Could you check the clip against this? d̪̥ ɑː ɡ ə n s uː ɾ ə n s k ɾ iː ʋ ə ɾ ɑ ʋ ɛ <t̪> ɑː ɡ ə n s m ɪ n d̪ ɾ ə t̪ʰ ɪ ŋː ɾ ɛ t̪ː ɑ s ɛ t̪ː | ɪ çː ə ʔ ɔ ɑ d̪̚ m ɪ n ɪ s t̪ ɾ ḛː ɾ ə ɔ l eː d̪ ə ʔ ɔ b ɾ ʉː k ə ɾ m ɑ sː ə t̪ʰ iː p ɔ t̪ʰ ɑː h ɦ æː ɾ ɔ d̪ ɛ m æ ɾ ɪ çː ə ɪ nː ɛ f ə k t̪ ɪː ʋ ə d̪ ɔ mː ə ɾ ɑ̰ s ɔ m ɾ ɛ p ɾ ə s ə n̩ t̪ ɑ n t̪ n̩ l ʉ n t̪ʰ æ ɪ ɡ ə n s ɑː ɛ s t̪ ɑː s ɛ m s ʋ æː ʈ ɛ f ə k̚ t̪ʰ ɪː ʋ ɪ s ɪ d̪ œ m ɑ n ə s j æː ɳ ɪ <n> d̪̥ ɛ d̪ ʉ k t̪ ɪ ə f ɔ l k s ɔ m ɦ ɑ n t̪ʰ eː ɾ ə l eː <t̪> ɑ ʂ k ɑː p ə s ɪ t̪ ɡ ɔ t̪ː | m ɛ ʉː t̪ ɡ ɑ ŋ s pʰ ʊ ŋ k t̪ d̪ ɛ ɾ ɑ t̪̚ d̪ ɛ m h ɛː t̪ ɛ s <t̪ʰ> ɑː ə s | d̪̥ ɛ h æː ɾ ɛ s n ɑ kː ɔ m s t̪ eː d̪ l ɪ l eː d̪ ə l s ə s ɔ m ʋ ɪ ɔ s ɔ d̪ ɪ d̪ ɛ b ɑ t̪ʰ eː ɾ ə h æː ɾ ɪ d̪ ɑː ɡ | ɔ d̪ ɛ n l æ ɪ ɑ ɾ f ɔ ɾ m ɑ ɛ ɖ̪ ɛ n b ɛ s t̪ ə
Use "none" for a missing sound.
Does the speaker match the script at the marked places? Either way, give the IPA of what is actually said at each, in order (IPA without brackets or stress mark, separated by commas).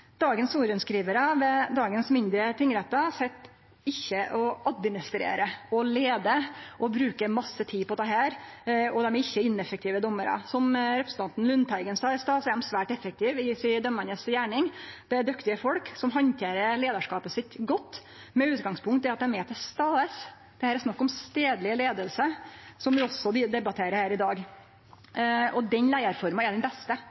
d̪, ŋ, d̪, t̪